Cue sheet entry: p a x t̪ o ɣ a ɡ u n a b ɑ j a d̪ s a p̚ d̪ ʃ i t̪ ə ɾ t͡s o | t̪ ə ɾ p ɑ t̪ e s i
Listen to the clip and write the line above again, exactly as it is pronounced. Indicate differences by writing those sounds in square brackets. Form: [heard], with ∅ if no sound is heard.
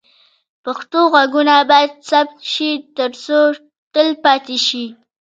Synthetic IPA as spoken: p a x t̪ o ɣ a ɡ u n a b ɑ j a d̪ s a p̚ [t̪] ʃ i t̪ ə ɾ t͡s o | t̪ ə [l] p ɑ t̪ e [ʃ] i